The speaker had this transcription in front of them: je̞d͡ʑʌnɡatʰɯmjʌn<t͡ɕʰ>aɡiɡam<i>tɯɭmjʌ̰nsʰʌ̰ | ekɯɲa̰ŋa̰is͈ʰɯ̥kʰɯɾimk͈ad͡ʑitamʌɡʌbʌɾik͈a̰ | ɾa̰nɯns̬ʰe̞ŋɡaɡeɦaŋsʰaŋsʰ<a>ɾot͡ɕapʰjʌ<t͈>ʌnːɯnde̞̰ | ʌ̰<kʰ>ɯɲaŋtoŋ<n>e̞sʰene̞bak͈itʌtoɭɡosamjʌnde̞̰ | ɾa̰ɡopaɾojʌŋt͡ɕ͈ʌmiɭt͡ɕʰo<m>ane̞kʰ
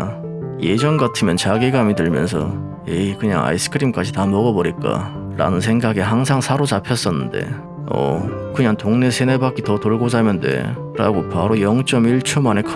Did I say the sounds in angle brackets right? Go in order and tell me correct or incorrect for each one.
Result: incorrect, correct, correct, incorrect, incorrect, correct, correct

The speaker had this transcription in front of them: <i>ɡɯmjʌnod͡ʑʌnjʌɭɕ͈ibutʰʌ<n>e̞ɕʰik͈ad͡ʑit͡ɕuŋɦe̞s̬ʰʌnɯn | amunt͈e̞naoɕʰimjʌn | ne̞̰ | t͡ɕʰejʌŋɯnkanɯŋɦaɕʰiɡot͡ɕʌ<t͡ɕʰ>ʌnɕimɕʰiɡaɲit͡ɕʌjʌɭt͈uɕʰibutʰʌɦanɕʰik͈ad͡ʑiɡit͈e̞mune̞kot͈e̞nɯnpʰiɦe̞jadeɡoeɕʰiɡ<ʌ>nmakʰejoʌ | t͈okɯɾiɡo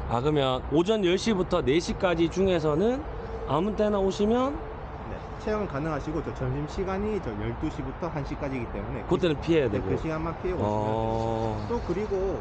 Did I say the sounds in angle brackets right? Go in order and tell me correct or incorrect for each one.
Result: incorrect, correct, incorrect, incorrect

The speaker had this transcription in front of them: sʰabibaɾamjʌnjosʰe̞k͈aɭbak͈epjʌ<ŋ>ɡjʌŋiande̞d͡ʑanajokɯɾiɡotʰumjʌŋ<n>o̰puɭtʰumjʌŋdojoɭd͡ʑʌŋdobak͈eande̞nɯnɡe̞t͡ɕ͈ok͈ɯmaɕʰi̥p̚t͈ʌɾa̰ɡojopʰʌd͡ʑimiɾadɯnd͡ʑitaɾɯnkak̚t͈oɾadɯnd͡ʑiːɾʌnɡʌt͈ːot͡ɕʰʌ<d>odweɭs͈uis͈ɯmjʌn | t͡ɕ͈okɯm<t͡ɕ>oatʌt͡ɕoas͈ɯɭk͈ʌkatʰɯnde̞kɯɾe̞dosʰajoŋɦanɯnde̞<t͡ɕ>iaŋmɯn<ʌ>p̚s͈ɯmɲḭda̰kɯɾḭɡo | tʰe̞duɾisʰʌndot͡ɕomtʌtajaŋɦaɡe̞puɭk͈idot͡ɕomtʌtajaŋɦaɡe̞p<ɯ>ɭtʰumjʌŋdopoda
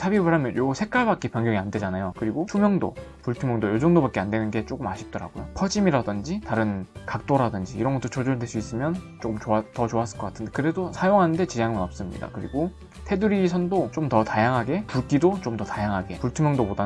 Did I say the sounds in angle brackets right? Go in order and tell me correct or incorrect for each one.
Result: correct, incorrect, incorrect, correct, correct, correct, incorrect

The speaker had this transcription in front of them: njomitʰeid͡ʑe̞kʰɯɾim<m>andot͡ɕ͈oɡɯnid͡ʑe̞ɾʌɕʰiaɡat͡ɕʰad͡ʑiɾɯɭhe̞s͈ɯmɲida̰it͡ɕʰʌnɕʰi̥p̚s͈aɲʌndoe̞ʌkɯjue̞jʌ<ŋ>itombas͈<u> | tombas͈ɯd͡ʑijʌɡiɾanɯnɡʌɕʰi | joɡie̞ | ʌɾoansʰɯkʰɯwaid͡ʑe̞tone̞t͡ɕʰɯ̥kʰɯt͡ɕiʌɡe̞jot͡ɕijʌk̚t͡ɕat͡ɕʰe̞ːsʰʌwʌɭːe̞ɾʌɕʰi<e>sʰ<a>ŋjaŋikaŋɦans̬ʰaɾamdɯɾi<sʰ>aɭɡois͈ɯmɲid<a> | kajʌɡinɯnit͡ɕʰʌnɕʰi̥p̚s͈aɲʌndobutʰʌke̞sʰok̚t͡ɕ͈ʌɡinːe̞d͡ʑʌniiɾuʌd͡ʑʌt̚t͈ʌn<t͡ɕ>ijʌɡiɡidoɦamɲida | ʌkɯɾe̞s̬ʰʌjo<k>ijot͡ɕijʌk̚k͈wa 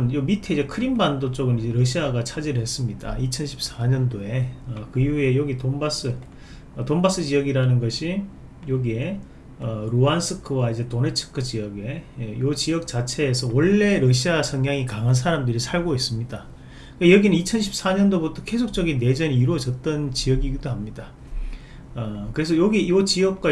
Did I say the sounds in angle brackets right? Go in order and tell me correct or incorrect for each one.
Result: incorrect, incorrect, incorrect, incorrect, incorrect, correct, correct, correct, incorrect

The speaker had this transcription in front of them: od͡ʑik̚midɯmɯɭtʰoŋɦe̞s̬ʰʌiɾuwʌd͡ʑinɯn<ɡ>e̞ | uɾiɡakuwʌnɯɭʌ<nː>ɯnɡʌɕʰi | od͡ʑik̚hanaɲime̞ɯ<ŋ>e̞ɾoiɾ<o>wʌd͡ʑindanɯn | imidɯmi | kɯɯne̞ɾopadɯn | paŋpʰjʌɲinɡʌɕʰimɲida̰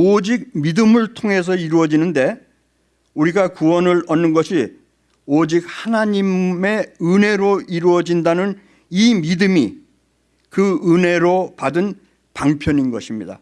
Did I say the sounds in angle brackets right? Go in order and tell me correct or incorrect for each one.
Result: incorrect, correct, incorrect, incorrect

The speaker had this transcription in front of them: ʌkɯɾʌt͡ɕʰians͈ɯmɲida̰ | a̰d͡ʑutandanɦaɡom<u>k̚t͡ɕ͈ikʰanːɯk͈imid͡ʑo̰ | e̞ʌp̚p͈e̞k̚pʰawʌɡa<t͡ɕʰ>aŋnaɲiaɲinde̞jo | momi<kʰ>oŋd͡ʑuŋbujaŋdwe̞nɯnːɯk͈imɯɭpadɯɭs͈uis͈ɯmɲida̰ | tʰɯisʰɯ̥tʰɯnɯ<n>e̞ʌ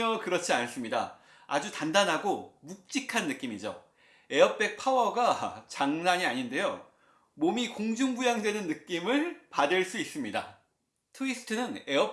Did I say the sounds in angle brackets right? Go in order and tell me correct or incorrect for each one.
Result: correct, incorrect, incorrect, correct

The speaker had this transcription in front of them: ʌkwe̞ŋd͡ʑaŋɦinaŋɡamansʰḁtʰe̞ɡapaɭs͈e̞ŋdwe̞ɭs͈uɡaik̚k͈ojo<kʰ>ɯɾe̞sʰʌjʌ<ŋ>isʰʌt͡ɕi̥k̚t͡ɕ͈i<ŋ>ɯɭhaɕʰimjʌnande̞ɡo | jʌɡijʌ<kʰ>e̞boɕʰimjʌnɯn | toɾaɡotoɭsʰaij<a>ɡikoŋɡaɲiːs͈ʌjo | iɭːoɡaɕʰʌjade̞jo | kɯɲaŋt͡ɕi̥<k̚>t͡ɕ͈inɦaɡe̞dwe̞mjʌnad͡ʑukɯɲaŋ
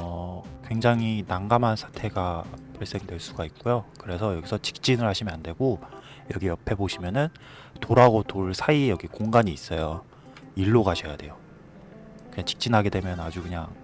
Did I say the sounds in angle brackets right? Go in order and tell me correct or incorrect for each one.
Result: incorrect, incorrect, incorrect, incorrect, incorrect, correct

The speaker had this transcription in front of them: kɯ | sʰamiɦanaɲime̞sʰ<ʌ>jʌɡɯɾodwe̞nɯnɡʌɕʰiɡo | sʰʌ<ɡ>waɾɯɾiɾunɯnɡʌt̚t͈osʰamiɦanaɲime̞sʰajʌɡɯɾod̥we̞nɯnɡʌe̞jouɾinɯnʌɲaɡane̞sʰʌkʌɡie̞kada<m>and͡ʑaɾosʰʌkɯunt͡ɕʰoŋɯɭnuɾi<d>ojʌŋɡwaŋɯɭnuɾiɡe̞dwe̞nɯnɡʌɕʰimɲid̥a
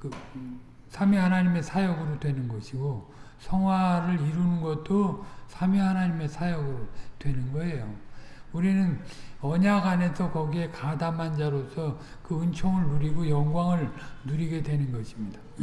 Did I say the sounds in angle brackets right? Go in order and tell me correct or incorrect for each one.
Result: incorrect, incorrect, correct, incorrect

